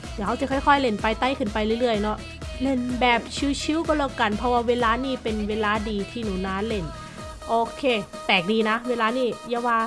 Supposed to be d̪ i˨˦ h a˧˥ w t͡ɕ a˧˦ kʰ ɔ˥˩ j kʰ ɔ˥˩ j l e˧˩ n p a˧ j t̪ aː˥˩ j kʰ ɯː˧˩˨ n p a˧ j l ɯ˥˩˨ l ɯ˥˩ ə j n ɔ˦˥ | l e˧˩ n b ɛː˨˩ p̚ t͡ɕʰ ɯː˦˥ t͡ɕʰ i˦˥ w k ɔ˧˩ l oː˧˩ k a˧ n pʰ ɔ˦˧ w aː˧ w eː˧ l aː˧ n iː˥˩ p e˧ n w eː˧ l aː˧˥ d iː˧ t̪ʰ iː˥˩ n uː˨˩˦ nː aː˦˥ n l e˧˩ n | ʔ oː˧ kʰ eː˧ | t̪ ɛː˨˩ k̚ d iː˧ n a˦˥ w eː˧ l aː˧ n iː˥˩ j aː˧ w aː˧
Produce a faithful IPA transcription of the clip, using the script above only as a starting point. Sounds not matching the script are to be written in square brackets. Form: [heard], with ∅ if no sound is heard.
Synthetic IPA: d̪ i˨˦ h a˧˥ w t͡ɕ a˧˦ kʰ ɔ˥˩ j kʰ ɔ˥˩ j l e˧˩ n p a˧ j t̪ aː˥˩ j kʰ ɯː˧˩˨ n p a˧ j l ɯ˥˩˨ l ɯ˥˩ ə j n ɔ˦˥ | l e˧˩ n b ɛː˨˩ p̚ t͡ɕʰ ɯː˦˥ t͡ɕʰ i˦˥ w k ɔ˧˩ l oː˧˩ k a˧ n pʰ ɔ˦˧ w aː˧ w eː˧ l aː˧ n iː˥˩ p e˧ n w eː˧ l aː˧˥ d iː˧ t̪ʰ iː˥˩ n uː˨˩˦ [n] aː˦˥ n l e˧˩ n | ʔ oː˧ kʰ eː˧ | t̪ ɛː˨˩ k̚ d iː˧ n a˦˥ w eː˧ l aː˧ n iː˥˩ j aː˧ w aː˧